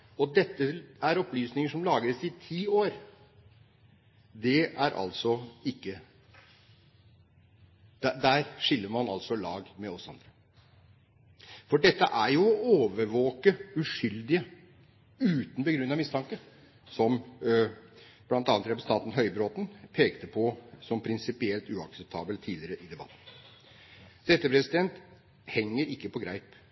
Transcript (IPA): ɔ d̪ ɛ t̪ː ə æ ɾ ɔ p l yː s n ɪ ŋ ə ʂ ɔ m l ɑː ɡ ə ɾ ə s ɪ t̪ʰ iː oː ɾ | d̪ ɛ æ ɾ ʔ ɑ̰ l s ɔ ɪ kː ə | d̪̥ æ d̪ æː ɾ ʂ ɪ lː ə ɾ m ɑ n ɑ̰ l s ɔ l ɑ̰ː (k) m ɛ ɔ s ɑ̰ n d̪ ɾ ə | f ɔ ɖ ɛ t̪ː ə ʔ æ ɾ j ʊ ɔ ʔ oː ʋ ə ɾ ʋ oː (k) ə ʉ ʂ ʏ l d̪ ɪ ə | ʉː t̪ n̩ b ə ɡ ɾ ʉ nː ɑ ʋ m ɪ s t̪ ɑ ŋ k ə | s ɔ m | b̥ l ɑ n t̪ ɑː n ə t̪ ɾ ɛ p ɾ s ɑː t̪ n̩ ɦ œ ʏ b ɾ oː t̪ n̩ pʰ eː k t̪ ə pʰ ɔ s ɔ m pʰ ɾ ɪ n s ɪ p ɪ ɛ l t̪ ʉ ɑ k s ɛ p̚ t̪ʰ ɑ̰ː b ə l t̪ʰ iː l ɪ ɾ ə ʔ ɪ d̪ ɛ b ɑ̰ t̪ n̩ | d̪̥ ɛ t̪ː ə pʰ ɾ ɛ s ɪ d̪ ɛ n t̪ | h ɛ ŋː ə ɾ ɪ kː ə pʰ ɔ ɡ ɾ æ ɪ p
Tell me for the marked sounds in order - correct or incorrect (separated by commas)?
incorrect, correct